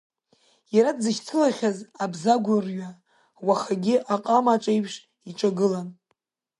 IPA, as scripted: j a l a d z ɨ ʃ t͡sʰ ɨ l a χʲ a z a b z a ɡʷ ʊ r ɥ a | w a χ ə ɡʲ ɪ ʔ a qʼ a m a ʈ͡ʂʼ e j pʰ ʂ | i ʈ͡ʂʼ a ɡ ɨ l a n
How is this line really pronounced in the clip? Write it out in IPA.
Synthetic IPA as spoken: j a ɾ a d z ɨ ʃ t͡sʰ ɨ l a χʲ a z a b z a ɡʷ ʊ r ɥ a | w a χ a ɡʲ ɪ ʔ a qʼ a m a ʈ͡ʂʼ e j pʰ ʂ | i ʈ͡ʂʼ a ɡ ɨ l a n